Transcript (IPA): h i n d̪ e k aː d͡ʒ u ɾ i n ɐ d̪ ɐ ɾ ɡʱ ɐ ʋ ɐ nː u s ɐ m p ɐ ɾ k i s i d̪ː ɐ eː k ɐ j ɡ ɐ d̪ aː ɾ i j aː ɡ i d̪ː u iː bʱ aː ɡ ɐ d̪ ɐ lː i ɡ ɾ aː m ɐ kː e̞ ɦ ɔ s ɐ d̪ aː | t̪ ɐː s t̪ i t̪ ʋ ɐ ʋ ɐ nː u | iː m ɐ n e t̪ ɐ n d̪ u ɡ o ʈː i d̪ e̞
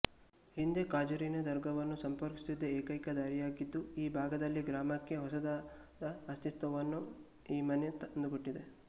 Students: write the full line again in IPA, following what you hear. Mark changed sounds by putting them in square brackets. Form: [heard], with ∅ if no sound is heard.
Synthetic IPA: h i n d̪ e k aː d͡ʒ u ɾ i n ɐ d̪ ɐ ɾ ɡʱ ɐ ʋ ɐ nː u s ɐ m p ɐ ɾ k i s i d̪ː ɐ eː k ɐ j [k] ɐ d̪ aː ɾ i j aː ɡ i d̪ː u iː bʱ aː ɡ ɐ d̪ ɐ lː i ɡ ɾ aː m ɐ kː e̞ ɦ ɔ s ɐ d̪ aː | [d̪] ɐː s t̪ i t̪ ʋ ɐ ʋ ɐ nː u | iː m ɐ n e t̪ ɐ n d̪ u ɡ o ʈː i d̪ e̞